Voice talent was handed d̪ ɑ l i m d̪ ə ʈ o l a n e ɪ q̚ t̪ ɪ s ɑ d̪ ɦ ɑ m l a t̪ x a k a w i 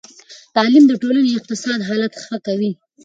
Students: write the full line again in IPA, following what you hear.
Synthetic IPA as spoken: t̪ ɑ l i m d̪ ə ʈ o l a n e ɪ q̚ t̪ ɪ s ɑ d̪ ɦ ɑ l a t̪ x ə k a w i